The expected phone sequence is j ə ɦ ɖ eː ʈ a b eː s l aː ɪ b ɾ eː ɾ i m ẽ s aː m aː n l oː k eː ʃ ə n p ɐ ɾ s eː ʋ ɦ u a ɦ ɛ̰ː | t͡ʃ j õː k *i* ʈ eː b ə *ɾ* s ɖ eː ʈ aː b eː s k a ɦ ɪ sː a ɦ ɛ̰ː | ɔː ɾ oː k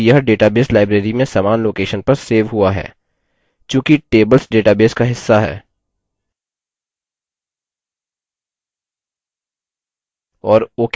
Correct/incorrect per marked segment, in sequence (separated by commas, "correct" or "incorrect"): correct, incorrect